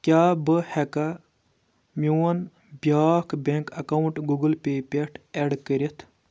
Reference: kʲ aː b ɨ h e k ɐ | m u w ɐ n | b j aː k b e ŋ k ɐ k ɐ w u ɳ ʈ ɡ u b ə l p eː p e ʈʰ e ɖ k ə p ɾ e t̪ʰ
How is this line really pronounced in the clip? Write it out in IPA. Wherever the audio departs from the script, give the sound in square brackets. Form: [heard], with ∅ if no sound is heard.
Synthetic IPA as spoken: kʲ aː b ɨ h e k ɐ | m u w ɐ n | b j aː k b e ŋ k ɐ k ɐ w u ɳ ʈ ɡ u [ɡ] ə l p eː p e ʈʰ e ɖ k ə [∅] ɾ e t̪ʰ